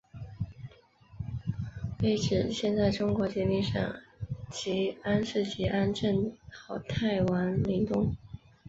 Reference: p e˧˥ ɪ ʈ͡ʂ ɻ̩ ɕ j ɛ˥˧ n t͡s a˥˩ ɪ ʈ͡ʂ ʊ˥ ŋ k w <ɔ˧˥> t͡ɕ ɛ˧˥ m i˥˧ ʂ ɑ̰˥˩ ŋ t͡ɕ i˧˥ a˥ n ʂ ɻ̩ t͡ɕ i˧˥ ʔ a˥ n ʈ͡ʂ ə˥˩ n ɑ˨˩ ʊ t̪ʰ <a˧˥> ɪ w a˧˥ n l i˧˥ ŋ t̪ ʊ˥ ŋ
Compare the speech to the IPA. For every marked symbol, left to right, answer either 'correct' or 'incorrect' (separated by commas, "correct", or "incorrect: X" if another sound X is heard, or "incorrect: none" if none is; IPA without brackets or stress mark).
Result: correct, incorrect: a˥˩